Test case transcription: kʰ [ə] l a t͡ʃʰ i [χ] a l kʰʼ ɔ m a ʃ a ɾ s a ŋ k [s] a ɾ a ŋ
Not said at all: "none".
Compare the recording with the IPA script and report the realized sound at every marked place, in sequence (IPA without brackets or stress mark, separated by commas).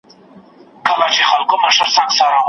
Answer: a, χ, s